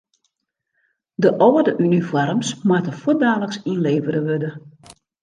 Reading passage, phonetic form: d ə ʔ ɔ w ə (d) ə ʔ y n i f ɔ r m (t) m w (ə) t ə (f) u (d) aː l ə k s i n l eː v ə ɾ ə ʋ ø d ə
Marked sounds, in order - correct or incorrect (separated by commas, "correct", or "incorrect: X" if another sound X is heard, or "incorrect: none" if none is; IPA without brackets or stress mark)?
correct, incorrect: s, incorrect: a, correct, correct